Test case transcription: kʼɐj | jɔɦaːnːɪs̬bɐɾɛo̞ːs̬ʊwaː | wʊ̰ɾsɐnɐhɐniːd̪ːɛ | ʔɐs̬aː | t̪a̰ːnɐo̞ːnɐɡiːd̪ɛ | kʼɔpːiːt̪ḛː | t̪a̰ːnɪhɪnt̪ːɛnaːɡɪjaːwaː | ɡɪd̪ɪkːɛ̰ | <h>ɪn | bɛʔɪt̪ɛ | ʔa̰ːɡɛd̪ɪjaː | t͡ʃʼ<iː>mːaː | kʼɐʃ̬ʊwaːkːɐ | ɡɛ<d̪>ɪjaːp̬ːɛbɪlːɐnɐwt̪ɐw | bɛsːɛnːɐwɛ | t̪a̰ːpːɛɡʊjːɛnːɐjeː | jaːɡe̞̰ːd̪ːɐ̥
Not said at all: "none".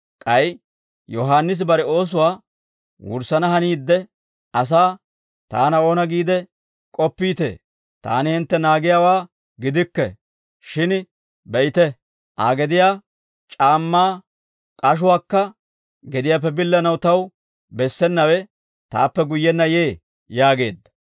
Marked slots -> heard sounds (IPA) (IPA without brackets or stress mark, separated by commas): ʃ, aː, d̪